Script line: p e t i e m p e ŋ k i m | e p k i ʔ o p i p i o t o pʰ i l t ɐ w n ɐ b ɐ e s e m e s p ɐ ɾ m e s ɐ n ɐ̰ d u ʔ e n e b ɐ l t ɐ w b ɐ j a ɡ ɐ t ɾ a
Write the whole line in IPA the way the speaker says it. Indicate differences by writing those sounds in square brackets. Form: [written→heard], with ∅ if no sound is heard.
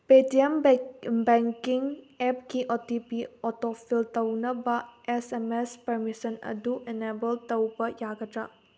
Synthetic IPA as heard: p e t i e m [p→b] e ŋ k i [m→ŋ] | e p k i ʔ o [p→t] i p i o t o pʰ i l t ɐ w n ɐ b ɐ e s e m e s p ɐ ɾ m [e→i] s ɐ n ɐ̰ d u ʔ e n e b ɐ l t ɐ w b ɐ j a ɡ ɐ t ɾ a